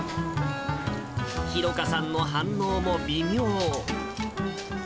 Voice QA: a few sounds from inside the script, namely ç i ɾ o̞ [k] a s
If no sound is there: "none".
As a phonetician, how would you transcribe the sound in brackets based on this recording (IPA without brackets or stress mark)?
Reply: k